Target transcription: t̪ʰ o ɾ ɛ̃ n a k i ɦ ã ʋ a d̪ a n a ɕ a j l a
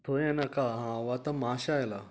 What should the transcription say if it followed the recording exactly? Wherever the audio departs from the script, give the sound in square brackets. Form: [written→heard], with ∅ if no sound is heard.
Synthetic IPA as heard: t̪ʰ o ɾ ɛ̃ n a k [i→a] ɦ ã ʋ a [d̪→t̪] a [n→m] a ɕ a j l a